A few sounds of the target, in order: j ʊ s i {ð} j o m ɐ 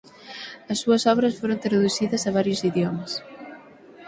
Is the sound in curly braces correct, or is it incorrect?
correct